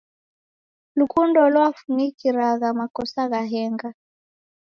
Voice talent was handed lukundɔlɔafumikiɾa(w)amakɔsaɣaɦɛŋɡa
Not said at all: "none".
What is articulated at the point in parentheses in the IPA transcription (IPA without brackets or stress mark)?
ɣ